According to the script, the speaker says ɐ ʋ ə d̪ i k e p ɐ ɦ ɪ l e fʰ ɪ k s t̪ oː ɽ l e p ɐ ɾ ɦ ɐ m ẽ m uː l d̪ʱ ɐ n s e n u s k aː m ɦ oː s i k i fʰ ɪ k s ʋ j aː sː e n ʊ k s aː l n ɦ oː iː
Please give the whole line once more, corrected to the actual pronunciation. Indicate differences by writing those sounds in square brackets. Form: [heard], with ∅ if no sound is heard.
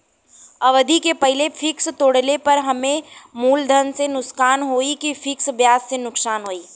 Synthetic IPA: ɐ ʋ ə d̪ i k e p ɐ ɦ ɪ l e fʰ ɪ k s t̪ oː ɽ l e p ɐ ɾ ɦ ɐ m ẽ m uː l d̪ʱ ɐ n s e n [ʊ] s k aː [n] ɦ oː [∅] i k i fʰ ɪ k s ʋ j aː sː e n ʊ k s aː [∅] n ɦ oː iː